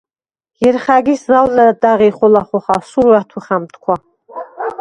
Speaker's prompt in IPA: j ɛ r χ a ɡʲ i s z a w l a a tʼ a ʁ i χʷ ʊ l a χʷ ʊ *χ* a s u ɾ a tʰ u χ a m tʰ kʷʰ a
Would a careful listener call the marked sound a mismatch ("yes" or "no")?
no